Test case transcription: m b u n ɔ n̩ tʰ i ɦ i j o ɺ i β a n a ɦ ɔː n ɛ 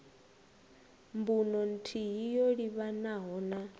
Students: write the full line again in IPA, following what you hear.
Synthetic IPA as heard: m b u n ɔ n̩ tʰ i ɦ i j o ɺ i β a n a ɦ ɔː n a